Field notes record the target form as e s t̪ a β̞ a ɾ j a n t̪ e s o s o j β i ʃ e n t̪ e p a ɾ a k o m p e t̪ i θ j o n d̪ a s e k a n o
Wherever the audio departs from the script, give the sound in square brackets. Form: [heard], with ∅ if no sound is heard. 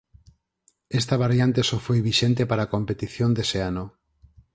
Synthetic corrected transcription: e s t̪ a β̞ a ɾ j a n t̪ e s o [f] o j β i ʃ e n t̪ e p a ɾ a k o m p e t̪ i θ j o n d̪ [e] s e [∅] a n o